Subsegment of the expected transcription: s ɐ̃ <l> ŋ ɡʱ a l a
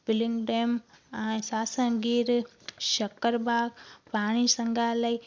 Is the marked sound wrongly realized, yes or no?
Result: yes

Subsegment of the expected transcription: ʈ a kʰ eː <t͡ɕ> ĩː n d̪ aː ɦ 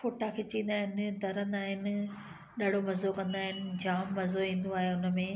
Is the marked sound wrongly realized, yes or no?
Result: no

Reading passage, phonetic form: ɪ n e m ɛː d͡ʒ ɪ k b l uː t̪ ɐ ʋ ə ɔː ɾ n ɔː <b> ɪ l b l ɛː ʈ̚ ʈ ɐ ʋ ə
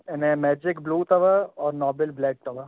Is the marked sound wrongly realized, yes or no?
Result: no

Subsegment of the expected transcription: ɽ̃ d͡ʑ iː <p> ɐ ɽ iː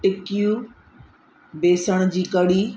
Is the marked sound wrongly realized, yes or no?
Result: yes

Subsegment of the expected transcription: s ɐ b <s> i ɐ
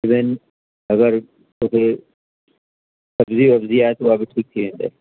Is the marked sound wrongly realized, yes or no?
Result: yes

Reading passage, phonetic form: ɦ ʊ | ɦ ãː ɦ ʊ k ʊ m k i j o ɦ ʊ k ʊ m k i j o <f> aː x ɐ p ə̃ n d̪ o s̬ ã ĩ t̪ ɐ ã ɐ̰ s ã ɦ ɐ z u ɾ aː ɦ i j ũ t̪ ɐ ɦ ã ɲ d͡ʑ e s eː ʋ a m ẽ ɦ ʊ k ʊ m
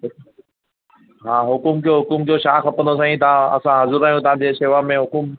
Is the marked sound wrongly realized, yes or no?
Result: yes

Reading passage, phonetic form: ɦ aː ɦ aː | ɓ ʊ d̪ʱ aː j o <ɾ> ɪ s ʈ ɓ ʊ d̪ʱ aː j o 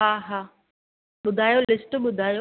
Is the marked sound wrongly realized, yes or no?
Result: yes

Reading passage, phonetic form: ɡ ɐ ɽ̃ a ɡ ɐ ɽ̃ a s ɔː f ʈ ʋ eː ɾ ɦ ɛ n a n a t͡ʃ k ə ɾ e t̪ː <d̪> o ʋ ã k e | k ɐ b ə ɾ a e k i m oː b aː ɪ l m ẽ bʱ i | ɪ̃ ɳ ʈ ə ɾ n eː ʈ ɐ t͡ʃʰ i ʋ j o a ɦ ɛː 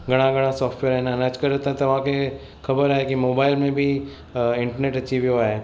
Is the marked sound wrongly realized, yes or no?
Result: yes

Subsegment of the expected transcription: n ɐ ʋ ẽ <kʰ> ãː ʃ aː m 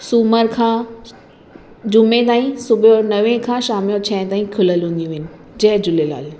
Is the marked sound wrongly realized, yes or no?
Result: no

